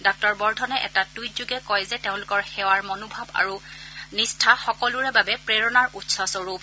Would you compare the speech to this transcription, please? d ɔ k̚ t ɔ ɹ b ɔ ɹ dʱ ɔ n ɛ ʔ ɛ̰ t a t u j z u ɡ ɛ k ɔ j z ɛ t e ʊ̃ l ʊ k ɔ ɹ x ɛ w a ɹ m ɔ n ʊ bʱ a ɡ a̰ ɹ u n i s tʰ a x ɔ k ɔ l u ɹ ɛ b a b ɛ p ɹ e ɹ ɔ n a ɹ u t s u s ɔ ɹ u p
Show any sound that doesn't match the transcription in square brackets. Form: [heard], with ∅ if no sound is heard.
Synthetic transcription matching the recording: d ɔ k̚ t ɔ ɹ b ɔ ɹ dʱ ɔ n ɛ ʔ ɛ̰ t a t u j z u ɡ ɛ k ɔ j z ɛ t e ʊ̃ l ʊ k ɔ ɹ x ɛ w a ɹ m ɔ n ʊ bʱ a [b] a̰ ɹ u n i s tʰ a x ɔ k ɔ l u ɹ ɛ b a b ɛ p ɹ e ɹ ɔ n a ɹ u t s [ɔ] s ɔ ɹ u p